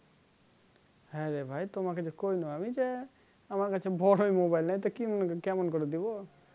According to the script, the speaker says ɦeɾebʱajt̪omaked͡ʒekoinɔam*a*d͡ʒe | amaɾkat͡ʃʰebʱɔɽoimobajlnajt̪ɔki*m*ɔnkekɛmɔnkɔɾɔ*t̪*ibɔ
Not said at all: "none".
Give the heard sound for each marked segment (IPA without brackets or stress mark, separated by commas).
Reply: i, m, d̪